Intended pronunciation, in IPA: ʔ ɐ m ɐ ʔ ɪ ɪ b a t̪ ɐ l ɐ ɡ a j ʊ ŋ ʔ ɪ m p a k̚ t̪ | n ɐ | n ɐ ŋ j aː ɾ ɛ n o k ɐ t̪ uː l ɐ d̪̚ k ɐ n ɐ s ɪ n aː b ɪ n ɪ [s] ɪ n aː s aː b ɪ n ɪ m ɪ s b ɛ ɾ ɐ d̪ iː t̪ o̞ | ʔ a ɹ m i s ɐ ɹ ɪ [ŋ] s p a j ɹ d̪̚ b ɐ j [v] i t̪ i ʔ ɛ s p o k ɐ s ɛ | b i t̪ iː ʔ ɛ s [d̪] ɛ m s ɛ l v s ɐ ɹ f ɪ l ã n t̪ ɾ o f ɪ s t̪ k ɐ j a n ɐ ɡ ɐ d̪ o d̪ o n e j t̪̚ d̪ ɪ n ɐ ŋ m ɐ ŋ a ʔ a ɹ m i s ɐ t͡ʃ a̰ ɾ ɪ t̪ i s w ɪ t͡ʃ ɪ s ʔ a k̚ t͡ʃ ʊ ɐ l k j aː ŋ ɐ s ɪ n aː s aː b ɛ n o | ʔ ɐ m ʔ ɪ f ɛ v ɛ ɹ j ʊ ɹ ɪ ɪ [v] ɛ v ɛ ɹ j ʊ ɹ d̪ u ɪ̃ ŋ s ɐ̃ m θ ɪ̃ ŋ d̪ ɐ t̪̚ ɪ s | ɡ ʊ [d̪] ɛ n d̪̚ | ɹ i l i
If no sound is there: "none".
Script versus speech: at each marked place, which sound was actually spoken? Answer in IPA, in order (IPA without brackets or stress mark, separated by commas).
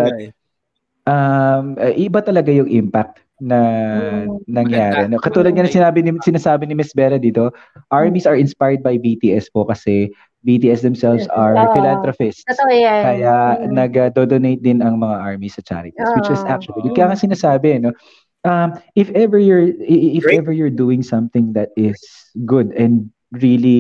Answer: s, n, b, d̪, f, d̪